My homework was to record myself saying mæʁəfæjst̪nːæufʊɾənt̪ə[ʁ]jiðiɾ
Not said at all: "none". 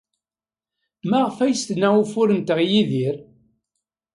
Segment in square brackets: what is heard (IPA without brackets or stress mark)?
ʁ